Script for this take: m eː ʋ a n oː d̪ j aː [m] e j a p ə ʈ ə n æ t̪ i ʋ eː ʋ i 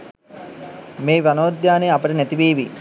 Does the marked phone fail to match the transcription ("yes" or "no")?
yes